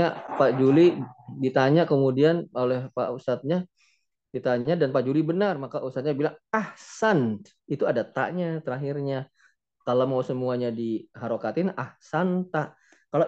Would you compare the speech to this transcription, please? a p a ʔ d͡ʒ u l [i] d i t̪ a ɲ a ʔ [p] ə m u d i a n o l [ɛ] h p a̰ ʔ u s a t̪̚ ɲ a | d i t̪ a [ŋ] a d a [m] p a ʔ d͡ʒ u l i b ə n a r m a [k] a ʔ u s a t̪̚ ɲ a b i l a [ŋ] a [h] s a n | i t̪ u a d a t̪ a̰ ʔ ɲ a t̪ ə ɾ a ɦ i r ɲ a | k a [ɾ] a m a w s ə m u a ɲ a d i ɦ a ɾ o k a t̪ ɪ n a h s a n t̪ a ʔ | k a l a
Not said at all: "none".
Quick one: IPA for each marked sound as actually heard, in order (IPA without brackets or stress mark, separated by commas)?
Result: i, k, ɛ, ɲ, n, k, ŋ, h, l